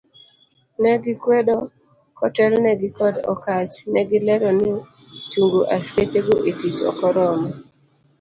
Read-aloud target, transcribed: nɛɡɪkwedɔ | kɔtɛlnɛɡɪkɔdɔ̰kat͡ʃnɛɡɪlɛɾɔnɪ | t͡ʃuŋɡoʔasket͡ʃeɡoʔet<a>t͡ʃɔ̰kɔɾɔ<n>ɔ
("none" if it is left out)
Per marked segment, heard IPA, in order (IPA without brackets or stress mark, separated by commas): i, m